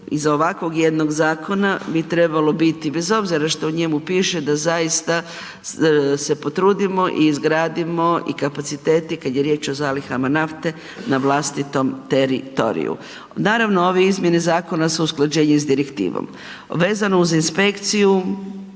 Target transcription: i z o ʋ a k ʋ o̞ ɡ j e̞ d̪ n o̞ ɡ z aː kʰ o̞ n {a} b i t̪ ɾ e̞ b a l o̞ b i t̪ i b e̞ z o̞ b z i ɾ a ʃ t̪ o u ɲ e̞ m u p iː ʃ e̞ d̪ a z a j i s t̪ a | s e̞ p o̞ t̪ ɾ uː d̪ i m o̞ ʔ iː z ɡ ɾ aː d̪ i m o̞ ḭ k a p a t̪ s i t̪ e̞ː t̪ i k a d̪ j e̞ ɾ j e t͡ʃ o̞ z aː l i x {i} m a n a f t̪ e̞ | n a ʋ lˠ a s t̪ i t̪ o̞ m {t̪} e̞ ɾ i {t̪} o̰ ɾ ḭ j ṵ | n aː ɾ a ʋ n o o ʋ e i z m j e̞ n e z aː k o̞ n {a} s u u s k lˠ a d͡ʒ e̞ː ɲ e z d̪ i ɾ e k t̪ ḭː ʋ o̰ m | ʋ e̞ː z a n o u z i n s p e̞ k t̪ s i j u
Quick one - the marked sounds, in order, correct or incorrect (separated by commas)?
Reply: correct, incorrect, correct, correct, correct